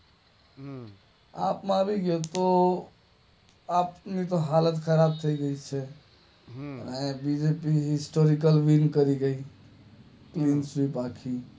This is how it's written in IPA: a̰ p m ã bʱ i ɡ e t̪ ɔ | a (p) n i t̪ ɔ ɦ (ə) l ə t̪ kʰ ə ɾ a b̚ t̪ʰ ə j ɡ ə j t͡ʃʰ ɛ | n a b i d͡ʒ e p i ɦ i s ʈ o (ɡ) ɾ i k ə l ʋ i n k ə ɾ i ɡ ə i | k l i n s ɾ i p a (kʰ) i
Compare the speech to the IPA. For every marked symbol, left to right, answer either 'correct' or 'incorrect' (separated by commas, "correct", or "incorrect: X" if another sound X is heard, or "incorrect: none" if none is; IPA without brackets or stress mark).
correct, incorrect: a, incorrect: none, correct